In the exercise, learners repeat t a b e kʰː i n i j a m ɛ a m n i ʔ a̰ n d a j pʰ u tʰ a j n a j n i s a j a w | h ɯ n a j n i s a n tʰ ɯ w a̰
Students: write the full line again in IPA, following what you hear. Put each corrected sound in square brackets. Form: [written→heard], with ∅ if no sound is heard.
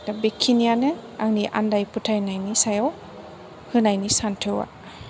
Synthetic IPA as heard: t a b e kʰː i n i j a [m→n] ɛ a [m→ŋ] n i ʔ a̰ n d a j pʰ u tʰ a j n a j n i s a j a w | h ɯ n a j n i s a n tʰ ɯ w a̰